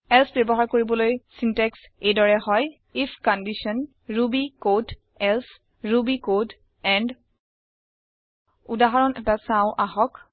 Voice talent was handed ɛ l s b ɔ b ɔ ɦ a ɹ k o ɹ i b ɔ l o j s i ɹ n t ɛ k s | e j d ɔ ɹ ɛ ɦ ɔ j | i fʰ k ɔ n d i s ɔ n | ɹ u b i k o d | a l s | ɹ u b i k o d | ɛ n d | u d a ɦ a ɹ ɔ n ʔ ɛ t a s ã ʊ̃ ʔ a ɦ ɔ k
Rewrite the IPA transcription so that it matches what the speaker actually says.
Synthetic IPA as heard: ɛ l s b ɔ b ɔ ɦ a ɹ k o ɹ i b ɔ l o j s i n t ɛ k s | e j d ɔ ɹ ɛ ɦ ɔ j | i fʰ k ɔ n d i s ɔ n | ɹ u b i k o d | ɛ l s | ɹ u b i k o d | ɛ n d | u d a ɦ a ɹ ɔ n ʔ ɛ t a s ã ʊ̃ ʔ a ɦ ɔ k